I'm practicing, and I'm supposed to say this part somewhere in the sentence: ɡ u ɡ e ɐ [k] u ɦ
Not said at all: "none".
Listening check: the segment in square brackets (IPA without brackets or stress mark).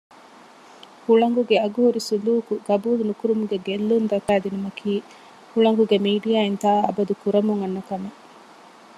ɡ